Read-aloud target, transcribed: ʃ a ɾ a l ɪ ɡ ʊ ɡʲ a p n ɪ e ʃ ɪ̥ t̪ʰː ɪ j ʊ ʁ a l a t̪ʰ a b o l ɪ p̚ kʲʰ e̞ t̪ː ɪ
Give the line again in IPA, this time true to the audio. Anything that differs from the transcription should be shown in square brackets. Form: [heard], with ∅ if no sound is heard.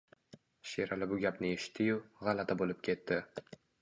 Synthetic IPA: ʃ [e] ɾ a l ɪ [b] ʊ ɡʲ a p n ɪ e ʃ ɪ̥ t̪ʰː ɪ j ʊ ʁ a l a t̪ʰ a b o l ɪ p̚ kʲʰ e̞ t̪ː ɪ